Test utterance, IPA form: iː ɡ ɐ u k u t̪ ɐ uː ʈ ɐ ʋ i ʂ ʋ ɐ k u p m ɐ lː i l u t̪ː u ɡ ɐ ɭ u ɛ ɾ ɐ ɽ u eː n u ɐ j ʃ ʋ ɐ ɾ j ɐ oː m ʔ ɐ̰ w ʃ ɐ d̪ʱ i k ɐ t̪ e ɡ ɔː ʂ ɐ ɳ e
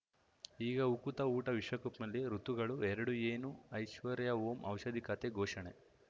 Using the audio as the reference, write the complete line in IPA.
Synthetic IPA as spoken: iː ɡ ɐ u k u t̪ ɐ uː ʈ ɐ ʋ i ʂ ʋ ɐ k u p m ɐ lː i ɾ u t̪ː u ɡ ɐ ɭ u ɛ ɾ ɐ ɽ u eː n u ɐ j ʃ ʋ ɐ ɾ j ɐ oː m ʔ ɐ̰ w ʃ ɐ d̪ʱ i k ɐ t̪ e ɡ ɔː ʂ ɐ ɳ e